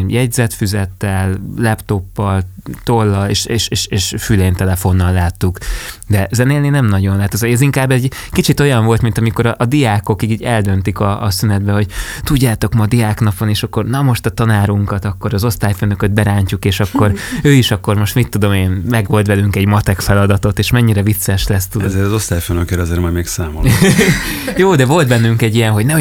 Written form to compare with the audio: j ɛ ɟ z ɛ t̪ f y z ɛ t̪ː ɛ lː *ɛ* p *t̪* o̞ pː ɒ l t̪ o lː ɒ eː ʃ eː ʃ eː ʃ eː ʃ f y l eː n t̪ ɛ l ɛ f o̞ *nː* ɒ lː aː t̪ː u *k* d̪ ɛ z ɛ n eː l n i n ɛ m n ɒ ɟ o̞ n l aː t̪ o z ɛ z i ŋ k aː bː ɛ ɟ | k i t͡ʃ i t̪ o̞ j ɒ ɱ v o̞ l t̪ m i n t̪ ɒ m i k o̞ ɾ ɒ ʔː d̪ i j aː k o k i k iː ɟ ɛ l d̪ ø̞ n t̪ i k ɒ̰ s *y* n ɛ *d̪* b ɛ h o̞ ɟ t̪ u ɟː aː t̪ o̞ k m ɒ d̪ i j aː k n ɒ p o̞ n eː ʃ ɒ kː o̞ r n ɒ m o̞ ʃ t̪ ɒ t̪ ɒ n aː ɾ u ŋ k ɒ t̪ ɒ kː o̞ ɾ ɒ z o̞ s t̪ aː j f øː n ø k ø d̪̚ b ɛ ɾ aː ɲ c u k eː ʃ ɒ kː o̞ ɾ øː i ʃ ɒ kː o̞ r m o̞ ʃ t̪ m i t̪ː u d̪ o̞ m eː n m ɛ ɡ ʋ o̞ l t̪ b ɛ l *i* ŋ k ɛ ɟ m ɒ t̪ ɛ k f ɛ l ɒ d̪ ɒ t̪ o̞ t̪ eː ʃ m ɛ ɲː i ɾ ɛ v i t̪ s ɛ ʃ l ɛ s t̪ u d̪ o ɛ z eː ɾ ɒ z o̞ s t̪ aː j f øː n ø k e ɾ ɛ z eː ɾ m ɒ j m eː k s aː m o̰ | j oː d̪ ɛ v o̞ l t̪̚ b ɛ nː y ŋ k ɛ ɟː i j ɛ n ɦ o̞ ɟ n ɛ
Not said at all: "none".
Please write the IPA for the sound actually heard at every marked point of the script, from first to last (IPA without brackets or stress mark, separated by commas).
ɛ, t̪, nː, k, y, d̪, y